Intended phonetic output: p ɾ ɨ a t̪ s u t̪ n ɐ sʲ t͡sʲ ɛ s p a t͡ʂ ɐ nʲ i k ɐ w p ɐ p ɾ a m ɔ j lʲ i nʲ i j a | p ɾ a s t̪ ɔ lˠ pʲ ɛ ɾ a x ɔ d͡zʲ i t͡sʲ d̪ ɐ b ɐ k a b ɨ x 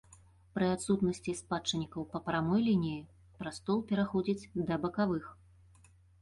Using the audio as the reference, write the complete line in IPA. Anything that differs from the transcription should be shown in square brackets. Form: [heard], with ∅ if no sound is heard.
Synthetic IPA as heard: p ɾ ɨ a t̪ s u t̪ n ɐ sʲ t͡sʲ [i] s p a t͡ʂ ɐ nʲ i k ɐ w p ɐ p ɾ a m ɔ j lʲ i nʲ i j [i] | p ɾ a s t̪ ɔ lˠ pʲ ɛ ɾ a x ɔ d͡zʲ i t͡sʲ d̪ ɐ b ɐ k a [v] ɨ x